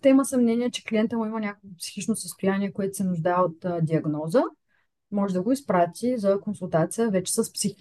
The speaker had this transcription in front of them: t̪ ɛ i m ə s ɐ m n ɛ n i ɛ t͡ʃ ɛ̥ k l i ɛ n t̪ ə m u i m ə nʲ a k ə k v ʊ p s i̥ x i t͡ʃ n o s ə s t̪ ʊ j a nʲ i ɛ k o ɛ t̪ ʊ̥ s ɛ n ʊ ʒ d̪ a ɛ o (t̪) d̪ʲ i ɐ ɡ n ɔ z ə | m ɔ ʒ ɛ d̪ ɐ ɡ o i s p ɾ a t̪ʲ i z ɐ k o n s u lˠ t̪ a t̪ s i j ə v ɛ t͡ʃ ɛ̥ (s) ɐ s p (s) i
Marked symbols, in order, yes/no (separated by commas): yes, yes, yes